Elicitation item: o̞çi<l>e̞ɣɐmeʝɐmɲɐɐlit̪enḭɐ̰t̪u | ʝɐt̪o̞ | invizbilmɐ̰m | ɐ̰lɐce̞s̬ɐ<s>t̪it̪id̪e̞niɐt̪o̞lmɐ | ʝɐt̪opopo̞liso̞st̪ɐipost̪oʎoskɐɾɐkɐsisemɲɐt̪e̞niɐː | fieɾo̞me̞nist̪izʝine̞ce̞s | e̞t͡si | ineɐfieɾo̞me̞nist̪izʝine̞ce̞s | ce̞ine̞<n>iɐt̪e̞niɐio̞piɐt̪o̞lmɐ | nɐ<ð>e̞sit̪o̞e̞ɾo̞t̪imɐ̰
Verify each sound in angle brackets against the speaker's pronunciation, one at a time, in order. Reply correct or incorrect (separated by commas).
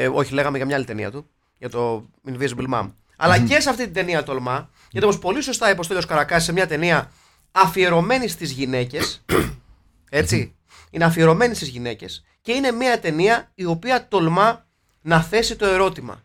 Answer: correct, incorrect, incorrect, incorrect